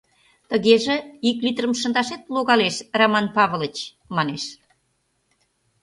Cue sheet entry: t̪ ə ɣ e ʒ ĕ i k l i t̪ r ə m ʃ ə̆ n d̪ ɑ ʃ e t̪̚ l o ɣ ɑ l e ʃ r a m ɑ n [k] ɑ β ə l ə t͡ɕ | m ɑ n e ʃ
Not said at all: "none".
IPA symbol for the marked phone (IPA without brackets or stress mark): p